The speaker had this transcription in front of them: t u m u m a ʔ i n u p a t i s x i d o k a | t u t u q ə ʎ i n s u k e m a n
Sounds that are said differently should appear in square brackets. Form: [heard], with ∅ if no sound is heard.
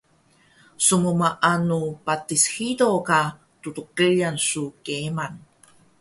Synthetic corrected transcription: [s] u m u m a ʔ [a] n u p a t i s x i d o k a | t u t u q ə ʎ [a] n s u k e m a n